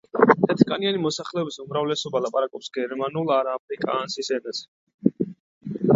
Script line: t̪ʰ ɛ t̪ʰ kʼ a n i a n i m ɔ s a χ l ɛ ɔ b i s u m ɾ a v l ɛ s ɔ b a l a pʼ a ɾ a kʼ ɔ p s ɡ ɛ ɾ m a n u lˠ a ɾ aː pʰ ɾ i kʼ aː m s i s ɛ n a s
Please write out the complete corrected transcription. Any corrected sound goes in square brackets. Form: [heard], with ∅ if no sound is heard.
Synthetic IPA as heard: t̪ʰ ɛ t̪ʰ kʼ a n i a n i m ɔ s a χ l ɛ ɔ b i s u m ɾ a v l ɛ s ɔ b a l a pʼ a ɾ a kʼ ɔ p s ɡ ɛ ɾ m a n u lˠ a ɾ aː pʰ ɾ i kʼ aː [n] s i s ɛ n a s